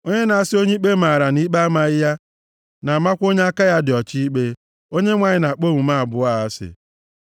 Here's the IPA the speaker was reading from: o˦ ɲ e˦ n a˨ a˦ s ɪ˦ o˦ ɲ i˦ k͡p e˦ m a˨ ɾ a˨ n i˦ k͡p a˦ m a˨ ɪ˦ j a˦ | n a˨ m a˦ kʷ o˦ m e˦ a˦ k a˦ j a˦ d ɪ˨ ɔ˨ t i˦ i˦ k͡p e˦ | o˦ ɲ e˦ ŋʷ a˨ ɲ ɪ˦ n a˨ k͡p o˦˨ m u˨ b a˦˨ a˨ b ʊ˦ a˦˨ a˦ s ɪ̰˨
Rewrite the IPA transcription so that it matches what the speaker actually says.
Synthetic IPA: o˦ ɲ e˦ n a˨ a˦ s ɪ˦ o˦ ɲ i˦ k͡p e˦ m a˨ ɾ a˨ n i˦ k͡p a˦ m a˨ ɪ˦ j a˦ | n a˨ m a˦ kʷ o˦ ɲ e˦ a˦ k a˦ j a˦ d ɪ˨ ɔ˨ t͡ʃ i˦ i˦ k͡p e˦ | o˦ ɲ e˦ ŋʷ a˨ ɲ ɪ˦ n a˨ k͡p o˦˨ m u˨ m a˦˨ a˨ b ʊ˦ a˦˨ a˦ s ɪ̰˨